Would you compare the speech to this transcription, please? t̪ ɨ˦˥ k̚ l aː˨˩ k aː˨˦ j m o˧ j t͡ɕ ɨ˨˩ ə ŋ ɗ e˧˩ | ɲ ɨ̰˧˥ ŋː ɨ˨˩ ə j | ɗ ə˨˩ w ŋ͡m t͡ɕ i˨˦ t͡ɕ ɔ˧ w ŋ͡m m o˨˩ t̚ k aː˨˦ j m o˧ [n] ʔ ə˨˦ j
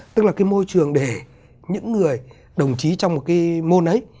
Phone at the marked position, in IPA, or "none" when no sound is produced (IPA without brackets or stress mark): n